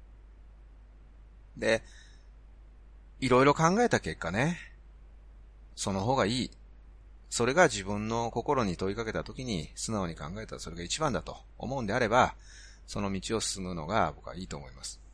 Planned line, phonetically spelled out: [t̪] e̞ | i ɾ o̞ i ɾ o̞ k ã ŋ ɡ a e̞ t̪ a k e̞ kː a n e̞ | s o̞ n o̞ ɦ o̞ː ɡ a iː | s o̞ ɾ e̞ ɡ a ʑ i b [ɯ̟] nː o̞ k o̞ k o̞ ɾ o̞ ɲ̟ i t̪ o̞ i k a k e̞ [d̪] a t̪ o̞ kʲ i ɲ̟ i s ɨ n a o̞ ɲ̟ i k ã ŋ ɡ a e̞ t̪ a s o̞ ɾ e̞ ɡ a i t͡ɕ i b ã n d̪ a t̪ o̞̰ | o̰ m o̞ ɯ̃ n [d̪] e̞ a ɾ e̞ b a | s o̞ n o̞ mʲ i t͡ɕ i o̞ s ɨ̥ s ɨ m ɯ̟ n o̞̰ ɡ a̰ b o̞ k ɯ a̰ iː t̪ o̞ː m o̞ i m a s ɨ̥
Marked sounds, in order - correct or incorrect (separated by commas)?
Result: incorrect, incorrect, incorrect, correct